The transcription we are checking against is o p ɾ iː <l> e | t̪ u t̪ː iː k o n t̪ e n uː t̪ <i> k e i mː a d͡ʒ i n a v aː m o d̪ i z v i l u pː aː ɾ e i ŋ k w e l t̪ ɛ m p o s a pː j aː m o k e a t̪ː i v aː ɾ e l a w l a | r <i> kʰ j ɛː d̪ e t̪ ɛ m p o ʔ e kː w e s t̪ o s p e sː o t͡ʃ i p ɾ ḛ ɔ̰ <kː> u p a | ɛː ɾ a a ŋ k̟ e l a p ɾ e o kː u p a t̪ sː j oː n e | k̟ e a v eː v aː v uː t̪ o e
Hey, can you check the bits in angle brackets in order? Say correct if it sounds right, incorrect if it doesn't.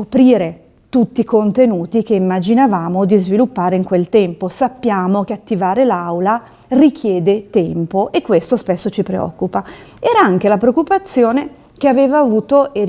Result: incorrect: ɾ, correct, correct, correct

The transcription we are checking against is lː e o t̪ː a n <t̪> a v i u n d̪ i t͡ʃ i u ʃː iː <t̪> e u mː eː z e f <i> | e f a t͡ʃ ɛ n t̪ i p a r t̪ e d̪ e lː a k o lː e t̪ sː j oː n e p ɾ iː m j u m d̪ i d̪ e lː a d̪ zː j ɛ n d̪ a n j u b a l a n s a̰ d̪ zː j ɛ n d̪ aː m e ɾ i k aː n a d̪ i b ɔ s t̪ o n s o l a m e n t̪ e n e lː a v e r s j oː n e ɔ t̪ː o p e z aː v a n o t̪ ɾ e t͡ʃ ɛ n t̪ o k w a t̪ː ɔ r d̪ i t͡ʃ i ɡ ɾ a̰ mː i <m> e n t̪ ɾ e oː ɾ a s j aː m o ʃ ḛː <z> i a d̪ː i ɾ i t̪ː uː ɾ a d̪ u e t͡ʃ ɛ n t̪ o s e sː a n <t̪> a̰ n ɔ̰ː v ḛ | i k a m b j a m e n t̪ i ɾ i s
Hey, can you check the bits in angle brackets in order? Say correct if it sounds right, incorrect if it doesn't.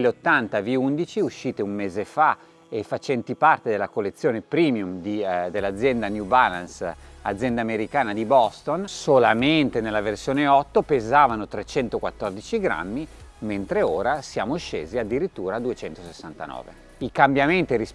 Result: correct, correct, incorrect: a, correct, correct, correct

